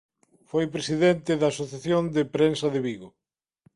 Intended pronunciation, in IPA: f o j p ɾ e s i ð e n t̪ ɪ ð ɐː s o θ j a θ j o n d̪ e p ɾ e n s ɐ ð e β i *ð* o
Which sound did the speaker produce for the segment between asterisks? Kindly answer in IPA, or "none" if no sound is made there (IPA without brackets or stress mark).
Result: ɣ